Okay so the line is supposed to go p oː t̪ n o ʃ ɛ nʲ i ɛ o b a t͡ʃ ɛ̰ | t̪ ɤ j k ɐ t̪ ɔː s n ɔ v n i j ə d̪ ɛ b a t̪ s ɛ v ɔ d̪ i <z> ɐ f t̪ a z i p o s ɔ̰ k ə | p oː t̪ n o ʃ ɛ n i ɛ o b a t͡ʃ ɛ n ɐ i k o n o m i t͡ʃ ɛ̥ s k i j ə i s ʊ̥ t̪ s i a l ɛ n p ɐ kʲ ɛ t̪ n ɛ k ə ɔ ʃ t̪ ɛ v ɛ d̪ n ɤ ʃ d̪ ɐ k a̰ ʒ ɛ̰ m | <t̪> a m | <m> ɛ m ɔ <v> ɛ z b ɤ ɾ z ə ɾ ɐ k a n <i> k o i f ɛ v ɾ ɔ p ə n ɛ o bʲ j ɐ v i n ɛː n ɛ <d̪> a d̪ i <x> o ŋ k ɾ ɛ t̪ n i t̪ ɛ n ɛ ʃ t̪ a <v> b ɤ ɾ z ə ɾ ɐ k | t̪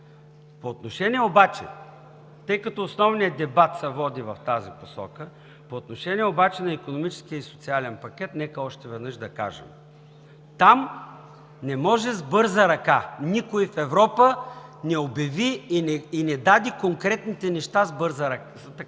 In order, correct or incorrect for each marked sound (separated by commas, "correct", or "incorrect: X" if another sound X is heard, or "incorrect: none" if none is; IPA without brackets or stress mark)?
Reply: incorrect: v, correct, incorrect: n, incorrect: ʒ, correct, correct, incorrect: k, incorrect: z